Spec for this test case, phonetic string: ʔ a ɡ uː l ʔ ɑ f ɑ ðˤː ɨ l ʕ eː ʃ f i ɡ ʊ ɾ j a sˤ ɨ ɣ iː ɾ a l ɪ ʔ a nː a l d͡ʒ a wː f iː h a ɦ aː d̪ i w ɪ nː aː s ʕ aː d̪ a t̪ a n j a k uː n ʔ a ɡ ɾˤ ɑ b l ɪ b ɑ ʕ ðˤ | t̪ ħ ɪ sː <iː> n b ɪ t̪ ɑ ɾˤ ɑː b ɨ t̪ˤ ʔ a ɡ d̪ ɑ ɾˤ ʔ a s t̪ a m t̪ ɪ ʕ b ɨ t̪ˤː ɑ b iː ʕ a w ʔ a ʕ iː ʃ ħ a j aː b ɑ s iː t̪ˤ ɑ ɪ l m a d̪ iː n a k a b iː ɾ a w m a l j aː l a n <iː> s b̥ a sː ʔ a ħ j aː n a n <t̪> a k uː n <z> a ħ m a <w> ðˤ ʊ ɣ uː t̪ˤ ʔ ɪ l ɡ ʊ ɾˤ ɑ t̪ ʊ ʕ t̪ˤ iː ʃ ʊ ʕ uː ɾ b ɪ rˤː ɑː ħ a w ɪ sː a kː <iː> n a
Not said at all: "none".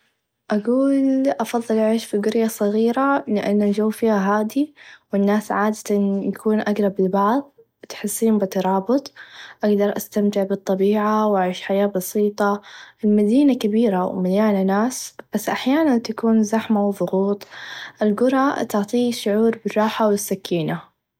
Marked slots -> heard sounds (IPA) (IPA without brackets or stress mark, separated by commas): iː, aː, t̪, z, w, iː